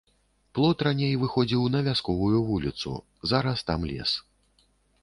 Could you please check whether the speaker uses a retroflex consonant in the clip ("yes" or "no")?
no